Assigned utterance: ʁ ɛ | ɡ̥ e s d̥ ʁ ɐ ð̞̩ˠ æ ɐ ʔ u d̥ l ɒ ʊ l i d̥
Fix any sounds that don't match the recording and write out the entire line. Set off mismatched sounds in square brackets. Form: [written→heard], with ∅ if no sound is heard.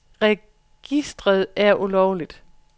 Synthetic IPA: ʁ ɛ | ɡ̥ [e→i] s d̥ ʁ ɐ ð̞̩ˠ æ ɐ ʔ u [d̥→∅] l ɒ ʊ l i d̥